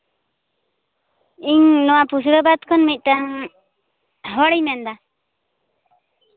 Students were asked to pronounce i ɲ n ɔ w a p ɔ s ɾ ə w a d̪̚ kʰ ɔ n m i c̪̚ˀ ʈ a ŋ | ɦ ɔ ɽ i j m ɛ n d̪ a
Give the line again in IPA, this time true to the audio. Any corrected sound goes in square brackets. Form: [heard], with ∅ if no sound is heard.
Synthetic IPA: i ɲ n ɔ w a p [u] s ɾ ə [b] a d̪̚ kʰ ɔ n m i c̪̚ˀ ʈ a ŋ | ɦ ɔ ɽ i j m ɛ n d̪ a